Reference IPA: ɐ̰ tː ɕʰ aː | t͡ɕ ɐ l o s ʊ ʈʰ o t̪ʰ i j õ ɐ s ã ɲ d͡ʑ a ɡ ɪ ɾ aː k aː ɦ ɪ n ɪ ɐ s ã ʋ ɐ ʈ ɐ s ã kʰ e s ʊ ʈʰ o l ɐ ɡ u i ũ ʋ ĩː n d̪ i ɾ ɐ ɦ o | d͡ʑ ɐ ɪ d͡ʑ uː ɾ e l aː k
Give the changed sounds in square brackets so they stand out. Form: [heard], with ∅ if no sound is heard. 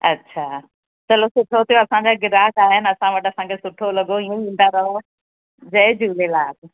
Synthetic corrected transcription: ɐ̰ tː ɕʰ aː | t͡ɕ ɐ l o s ʊ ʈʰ o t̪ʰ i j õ ɐ s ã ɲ d͡ʑ a ɡ ɪ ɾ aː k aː ɦ ɪ n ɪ ɐ s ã ʋ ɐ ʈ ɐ s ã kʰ e s ʊ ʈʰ o l ɐ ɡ [o] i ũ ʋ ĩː n d̪ [a] ɾ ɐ ɦ o | d͡ʑ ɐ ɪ d͡ʑ uː [l] e l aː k